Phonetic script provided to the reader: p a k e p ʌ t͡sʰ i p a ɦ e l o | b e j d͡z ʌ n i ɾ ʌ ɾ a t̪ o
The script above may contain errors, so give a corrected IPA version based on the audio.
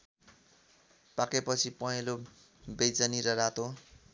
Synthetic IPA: p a k e p ʌ t͡sʰ i p ʌ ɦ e l o | b e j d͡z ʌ n i ɾ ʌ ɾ a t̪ o